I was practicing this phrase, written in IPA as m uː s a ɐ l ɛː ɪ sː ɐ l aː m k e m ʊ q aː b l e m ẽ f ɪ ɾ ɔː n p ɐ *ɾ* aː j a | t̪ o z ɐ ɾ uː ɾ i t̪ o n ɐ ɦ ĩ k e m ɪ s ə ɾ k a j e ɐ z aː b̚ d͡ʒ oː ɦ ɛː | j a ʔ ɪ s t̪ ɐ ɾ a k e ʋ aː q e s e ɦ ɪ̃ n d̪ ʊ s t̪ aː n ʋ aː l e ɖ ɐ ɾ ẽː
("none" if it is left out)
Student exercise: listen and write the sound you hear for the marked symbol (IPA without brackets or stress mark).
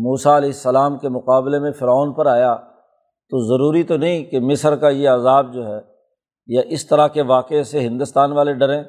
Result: ɾ